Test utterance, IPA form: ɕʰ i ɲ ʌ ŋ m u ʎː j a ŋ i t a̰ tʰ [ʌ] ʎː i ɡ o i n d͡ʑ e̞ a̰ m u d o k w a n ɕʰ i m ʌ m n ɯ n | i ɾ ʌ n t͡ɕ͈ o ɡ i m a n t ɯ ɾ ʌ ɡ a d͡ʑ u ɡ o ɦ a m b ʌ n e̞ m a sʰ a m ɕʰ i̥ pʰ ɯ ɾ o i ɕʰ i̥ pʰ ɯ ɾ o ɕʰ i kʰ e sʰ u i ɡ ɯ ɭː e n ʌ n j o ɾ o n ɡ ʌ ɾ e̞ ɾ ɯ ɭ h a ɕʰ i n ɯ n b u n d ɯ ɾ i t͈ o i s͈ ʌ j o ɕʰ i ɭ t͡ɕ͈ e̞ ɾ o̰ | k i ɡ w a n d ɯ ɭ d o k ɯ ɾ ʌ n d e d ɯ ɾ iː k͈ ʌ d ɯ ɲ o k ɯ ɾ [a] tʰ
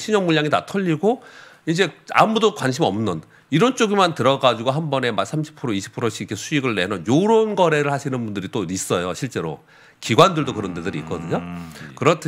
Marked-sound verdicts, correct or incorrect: correct, incorrect: ʌ

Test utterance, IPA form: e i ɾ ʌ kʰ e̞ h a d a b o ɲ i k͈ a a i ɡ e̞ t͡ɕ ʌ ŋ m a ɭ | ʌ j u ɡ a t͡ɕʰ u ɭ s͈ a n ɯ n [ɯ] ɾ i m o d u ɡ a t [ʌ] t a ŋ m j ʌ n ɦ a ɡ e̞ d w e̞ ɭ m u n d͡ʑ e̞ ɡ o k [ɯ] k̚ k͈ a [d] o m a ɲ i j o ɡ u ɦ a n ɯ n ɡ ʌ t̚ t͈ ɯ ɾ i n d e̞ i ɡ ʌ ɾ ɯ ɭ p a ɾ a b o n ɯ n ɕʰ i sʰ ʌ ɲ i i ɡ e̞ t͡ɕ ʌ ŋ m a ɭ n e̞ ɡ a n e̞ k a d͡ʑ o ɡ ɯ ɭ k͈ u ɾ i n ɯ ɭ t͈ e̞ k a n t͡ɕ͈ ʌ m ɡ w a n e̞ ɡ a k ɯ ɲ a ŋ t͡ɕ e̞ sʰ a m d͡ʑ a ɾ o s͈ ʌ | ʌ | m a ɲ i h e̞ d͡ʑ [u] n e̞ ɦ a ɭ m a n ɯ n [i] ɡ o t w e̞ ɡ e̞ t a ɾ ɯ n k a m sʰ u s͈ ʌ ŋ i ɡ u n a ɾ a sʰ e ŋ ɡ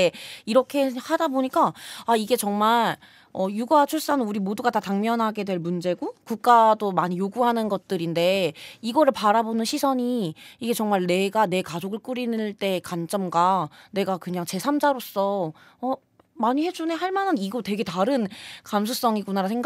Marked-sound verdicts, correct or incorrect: incorrect: u, incorrect: a, incorrect: u, correct, correct, correct

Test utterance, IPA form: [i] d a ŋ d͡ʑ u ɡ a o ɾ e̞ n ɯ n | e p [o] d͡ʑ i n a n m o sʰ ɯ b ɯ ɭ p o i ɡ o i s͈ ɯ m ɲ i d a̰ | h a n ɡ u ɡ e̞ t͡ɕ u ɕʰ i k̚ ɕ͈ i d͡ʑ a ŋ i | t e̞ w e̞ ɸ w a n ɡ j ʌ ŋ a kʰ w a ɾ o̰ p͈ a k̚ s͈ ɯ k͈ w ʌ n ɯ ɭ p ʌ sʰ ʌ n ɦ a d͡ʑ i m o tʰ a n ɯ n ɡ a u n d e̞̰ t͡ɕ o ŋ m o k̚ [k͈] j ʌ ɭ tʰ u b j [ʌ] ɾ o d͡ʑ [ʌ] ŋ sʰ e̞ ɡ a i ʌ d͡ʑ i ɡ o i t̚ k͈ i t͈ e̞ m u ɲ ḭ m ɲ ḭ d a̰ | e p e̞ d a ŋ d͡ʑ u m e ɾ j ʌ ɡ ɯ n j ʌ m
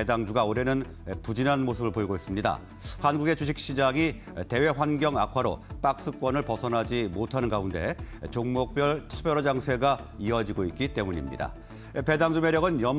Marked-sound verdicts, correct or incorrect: incorrect: e, incorrect: u, incorrect: p͈, correct, incorrect: a

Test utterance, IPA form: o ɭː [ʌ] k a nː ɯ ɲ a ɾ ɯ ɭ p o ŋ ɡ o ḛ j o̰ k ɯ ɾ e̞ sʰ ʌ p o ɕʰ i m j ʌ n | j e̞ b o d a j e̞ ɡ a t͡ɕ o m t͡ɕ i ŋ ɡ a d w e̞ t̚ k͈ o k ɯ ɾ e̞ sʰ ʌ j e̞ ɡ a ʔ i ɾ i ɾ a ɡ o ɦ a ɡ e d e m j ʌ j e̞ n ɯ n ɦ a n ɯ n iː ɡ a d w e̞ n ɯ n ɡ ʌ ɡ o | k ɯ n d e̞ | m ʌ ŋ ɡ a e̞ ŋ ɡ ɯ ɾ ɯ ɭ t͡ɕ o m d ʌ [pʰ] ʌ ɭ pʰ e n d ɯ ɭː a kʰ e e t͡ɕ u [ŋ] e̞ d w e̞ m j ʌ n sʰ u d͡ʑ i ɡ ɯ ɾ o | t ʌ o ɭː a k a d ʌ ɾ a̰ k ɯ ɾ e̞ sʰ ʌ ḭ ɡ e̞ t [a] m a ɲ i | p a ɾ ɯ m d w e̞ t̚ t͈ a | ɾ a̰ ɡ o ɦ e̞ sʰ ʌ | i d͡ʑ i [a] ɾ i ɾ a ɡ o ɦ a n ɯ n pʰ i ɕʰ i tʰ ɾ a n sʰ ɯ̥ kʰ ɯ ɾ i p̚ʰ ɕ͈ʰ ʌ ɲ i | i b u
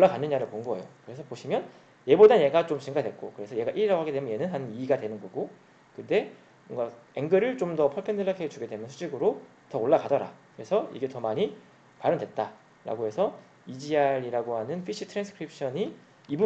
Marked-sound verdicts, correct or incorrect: incorrect: a, correct, incorrect: ɡ, incorrect: ʌ, correct

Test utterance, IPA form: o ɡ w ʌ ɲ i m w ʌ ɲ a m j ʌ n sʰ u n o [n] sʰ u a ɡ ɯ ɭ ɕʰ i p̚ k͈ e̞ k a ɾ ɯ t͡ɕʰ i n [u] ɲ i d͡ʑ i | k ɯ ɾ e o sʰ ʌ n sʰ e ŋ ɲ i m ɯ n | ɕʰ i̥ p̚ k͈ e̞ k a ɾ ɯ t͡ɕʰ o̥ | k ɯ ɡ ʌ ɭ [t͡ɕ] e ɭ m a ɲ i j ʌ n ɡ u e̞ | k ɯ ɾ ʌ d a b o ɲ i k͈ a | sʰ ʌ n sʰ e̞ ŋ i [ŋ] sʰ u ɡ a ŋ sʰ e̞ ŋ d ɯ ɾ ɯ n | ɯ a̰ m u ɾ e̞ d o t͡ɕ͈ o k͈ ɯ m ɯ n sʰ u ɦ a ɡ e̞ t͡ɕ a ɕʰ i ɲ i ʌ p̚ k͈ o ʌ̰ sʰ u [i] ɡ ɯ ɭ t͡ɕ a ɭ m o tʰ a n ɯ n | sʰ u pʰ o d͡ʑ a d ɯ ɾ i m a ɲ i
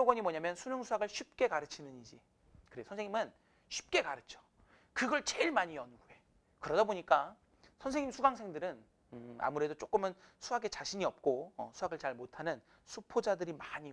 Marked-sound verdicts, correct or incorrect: incorrect: ŋ, incorrect: ɯ, correct, incorrect: m, incorrect: a

